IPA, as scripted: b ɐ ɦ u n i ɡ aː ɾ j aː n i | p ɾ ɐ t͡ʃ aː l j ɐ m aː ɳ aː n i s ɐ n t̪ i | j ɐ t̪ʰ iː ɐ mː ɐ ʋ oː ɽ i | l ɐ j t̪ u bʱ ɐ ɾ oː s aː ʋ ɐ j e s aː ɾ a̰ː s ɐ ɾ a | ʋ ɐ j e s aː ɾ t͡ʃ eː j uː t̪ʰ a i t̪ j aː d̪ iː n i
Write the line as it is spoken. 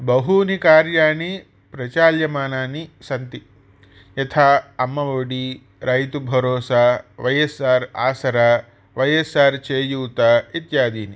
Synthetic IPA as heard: b ɐ ɦ u n i k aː ɾ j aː n i | p ɾ ɐ t͡ʃ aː l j ɐ m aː n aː n i s ɐ n t̪ i | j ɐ t̪ʰ aː ɐ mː ɐ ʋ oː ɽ i | ɾ ɐ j t̪ u bʱ ɐ ɾ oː s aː ʋ ɐ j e s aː ɾ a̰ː s ɐ ɾ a | ʋ ɐ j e s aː ɾ t͡ʃ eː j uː t̪ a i t̪ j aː d̪ iː n i